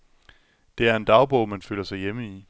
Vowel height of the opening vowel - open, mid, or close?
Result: mid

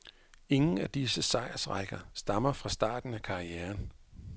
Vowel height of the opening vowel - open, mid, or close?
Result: mid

